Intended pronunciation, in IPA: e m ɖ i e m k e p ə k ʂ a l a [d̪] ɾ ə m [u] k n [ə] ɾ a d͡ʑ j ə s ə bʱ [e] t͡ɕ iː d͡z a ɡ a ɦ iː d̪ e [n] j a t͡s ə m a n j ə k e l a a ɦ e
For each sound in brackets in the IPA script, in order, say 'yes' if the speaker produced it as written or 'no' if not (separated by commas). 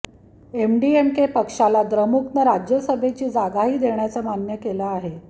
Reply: yes, yes, yes, yes, no